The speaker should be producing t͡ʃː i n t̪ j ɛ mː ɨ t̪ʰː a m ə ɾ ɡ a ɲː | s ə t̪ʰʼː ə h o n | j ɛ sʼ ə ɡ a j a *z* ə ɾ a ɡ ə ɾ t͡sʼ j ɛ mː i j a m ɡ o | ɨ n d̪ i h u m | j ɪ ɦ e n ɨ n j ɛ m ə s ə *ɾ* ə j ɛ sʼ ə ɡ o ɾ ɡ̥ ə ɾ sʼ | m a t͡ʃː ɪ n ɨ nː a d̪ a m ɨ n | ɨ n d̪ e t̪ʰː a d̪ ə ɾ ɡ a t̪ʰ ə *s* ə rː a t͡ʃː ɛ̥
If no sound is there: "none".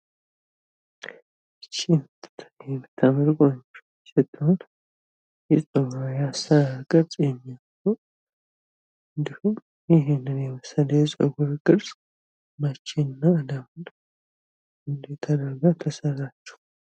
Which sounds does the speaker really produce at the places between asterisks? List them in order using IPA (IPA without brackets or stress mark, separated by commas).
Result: s, l, s